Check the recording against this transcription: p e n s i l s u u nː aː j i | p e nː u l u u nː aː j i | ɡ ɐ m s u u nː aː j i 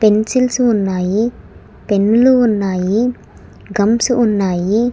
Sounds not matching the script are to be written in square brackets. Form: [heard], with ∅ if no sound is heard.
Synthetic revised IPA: p e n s i l s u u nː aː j i | p e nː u l u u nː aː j i | ɡ ɐ m s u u nː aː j i